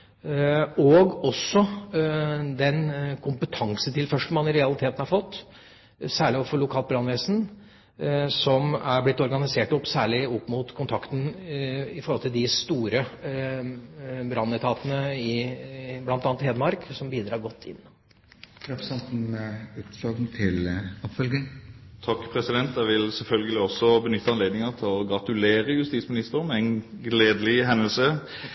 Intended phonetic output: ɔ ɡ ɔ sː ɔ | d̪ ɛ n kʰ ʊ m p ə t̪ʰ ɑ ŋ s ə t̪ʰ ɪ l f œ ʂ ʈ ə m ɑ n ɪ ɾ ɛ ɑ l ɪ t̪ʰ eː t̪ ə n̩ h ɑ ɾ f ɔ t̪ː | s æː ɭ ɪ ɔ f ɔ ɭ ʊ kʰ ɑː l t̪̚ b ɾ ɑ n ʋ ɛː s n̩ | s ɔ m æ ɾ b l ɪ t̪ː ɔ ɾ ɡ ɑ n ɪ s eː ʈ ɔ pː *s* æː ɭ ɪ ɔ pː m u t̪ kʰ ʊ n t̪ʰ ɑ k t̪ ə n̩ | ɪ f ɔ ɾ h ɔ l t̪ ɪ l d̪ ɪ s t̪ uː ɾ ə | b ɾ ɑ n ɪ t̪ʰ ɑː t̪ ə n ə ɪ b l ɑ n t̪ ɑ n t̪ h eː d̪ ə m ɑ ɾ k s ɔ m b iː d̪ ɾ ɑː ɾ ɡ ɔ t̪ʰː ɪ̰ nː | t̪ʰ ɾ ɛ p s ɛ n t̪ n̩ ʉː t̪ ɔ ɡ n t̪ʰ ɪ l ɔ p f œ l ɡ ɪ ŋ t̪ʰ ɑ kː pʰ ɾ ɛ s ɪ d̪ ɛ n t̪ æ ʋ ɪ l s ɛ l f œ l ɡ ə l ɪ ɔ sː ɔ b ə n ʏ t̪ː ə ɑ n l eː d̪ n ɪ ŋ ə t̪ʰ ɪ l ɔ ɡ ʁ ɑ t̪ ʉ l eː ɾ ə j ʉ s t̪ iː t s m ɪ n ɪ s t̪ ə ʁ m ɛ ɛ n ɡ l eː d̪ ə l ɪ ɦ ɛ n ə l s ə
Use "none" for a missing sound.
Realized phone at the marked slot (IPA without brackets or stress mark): s